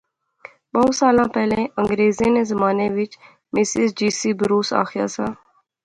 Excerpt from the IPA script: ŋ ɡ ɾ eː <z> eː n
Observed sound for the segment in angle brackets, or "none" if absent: z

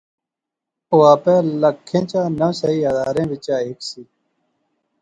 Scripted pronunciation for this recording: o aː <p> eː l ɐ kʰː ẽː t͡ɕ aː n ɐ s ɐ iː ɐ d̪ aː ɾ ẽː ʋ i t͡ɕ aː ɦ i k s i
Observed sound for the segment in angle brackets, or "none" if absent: p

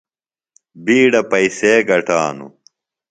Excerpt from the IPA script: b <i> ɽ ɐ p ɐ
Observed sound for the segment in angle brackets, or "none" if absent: iː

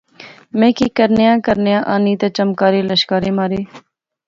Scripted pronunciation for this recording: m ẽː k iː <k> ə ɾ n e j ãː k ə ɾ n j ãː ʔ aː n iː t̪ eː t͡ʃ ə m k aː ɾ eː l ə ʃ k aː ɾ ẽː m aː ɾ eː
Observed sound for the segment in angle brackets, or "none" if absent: k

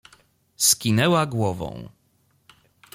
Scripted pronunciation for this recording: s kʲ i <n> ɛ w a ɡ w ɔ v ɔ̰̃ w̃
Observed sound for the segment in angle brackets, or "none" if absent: n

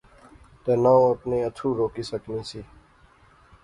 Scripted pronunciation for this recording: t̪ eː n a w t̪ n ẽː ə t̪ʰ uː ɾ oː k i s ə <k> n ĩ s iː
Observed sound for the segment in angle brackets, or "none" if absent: k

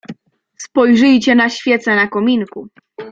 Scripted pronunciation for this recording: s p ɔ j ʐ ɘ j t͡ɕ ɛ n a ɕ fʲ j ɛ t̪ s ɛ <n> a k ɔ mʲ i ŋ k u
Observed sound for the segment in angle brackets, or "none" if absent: n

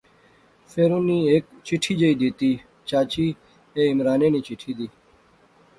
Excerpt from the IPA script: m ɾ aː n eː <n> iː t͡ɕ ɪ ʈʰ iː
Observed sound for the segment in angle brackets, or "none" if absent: n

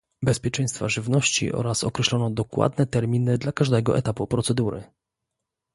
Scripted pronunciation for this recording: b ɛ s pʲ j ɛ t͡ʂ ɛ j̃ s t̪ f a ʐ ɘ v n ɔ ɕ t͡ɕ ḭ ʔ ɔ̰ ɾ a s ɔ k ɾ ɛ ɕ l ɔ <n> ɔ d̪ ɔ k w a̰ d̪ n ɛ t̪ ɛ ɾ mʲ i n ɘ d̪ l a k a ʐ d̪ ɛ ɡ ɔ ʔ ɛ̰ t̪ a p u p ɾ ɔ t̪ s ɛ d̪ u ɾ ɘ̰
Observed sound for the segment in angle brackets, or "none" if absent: n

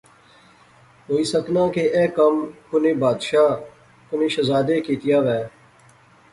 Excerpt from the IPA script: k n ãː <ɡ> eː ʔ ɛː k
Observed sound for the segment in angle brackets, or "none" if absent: k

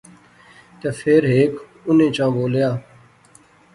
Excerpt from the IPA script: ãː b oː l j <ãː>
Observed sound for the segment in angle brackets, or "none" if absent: aː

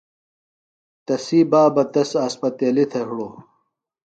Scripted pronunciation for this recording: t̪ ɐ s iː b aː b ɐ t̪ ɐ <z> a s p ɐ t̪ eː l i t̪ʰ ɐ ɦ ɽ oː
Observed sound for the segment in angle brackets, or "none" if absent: s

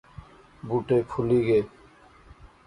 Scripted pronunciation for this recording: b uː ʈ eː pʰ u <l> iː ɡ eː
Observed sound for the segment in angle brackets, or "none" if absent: l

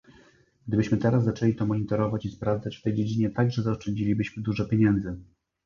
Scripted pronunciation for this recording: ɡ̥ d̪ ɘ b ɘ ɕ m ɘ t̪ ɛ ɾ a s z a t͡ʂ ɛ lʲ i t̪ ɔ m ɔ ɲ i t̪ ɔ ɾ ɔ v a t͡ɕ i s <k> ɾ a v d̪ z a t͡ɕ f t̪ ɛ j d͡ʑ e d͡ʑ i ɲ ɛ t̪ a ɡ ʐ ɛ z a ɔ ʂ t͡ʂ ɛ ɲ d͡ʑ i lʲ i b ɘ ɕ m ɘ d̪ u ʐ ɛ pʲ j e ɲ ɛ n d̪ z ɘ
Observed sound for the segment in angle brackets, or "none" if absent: p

